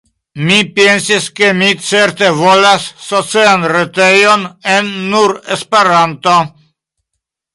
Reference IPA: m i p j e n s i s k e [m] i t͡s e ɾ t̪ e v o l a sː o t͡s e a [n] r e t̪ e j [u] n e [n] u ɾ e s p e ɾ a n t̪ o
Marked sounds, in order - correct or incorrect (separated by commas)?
correct, correct, incorrect, incorrect